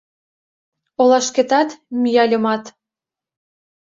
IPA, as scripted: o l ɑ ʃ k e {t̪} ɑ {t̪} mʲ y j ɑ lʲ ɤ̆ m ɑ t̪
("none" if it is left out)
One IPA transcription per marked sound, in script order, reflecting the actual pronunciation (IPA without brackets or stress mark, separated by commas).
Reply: t̪, t̪